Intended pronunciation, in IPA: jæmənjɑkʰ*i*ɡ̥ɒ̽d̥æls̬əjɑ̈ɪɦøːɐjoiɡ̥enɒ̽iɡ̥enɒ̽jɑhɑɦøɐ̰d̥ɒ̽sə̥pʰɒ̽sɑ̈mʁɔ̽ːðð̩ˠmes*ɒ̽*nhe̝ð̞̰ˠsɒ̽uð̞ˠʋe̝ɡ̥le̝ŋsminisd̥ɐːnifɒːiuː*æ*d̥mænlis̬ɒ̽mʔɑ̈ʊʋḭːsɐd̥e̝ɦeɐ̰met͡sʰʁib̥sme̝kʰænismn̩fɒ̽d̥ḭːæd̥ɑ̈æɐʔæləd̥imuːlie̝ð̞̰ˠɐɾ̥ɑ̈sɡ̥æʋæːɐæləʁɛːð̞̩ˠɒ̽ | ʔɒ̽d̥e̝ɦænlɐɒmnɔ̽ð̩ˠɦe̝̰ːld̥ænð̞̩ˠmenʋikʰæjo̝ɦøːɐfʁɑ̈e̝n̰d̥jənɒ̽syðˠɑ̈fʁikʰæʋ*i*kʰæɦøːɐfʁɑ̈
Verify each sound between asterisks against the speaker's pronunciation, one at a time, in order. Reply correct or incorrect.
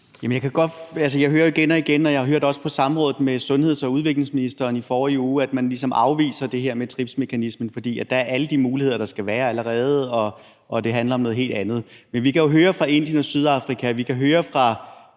incorrect: æ, incorrect: ɔ̽, correct, correct

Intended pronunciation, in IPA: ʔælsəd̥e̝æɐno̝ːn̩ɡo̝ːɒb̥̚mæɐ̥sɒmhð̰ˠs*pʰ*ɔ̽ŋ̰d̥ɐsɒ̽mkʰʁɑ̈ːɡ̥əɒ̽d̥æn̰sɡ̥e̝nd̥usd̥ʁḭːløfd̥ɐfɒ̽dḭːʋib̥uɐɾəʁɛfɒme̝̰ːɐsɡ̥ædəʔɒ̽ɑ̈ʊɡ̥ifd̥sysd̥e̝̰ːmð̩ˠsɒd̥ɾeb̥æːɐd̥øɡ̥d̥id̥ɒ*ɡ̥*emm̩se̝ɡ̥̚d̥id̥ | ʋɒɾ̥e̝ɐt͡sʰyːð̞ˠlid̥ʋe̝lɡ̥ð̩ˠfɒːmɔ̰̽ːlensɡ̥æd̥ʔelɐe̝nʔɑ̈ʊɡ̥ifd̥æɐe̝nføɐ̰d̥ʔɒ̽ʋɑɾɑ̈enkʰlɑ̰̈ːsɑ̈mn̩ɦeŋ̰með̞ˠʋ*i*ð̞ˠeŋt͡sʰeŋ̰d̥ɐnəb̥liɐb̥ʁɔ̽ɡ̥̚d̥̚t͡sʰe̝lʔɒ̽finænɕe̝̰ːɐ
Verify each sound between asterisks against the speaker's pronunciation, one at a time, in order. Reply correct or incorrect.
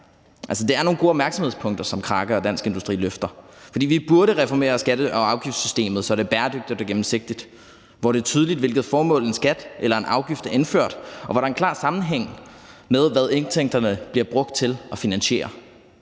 correct, correct, incorrect: æ

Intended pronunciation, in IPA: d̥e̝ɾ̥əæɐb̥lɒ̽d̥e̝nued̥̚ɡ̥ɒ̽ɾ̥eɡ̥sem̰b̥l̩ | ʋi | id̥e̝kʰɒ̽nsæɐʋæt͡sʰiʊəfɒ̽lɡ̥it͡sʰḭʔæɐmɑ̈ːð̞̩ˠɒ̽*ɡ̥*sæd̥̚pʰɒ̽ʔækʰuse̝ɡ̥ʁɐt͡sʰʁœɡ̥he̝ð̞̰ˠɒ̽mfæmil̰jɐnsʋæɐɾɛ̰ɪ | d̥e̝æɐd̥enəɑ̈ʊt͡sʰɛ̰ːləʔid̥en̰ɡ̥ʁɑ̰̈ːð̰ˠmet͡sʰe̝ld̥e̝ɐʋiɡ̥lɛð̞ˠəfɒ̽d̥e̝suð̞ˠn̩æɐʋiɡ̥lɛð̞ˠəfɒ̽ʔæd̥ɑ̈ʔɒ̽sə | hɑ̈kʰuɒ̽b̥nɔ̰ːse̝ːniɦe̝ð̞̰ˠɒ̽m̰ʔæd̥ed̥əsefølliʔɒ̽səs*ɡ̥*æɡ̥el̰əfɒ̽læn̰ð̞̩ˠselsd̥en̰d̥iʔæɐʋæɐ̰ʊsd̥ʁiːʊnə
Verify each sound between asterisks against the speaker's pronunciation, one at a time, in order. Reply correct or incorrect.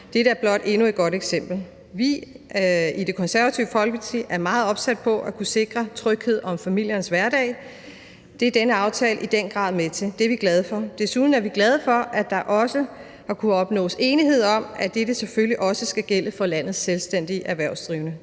incorrect: b̥, correct

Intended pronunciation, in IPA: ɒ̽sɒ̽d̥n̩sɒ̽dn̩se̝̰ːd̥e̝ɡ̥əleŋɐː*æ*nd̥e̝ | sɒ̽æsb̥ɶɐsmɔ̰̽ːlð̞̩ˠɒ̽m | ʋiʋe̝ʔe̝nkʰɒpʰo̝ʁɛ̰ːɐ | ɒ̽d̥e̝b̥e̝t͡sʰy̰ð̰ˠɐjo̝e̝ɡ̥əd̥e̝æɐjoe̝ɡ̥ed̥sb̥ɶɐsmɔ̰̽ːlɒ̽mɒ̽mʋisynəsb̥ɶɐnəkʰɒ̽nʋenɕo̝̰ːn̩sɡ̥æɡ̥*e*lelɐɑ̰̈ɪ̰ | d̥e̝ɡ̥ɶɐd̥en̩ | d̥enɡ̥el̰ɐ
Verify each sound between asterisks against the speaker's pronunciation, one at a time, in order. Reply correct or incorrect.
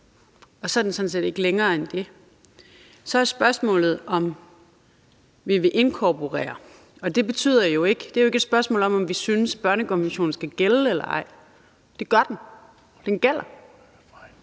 incorrect: e, correct

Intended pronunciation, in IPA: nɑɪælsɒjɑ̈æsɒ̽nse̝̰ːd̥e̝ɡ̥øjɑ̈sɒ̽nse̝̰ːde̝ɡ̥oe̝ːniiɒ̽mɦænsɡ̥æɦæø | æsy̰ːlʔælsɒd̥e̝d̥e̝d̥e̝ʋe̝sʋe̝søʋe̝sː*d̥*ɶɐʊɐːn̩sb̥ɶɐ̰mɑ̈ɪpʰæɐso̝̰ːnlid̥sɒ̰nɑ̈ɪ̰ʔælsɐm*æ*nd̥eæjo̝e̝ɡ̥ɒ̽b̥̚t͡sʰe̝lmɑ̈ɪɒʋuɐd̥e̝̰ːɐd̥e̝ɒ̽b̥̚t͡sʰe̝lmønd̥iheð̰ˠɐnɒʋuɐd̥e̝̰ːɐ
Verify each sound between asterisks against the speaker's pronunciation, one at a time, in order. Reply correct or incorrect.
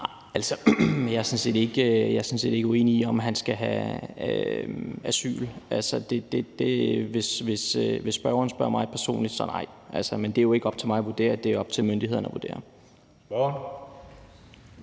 incorrect: b̥, incorrect: e

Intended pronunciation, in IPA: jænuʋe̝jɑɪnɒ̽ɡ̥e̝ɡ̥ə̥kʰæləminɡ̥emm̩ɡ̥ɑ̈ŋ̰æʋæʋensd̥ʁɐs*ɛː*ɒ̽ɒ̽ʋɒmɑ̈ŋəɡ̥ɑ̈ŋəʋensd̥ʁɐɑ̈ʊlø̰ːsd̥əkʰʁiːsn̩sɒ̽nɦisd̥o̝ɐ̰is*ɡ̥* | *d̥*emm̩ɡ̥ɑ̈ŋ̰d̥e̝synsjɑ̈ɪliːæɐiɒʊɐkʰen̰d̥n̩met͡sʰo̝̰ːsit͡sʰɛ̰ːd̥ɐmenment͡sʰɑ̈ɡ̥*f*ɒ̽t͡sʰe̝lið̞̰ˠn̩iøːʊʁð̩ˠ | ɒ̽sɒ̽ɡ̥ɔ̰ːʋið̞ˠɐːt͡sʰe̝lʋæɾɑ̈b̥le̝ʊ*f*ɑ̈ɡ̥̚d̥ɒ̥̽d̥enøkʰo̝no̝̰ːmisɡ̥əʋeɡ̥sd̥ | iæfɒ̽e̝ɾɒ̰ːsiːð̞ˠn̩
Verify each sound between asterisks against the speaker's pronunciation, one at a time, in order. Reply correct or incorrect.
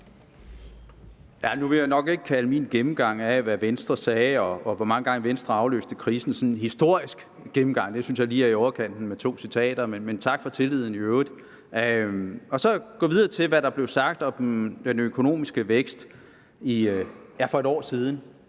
correct, correct, incorrect: ɡ̥, correct, incorrect: s

